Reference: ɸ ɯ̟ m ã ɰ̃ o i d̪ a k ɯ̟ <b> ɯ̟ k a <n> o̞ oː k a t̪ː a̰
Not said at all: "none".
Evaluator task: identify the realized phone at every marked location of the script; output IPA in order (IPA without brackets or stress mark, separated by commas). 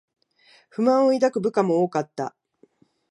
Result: b, m